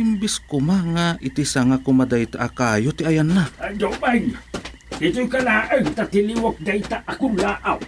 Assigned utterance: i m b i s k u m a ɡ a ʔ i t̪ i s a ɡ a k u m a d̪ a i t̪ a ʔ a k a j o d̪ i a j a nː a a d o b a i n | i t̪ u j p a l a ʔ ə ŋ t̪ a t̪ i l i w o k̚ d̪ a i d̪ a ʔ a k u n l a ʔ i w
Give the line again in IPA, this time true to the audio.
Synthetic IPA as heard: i m b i s k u m a ŋ a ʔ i t̪ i s a ŋ a k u m a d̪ a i t̪ a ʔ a k a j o t̪ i a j a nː a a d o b a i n | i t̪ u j k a l a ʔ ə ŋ t̪ a t̪ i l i w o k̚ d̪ a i t̪ a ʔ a k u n l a ʔ a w